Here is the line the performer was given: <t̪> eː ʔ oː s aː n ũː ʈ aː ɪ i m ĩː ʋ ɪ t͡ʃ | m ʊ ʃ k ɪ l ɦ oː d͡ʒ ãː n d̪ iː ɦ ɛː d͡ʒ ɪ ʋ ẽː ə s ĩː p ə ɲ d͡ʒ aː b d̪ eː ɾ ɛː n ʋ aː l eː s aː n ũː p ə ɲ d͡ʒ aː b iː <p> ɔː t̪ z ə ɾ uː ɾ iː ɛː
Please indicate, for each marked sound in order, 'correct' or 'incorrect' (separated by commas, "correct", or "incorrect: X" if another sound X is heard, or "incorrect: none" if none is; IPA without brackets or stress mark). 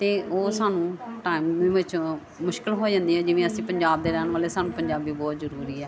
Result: correct, incorrect: b